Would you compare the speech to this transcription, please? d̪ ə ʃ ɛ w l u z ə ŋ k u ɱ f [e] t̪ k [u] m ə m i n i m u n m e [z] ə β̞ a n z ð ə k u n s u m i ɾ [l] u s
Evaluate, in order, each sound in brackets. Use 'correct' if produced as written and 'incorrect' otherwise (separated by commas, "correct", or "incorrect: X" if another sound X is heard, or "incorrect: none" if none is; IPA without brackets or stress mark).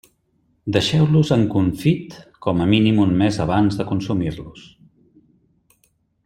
incorrect: i, incorrect: ɔ, correct, correct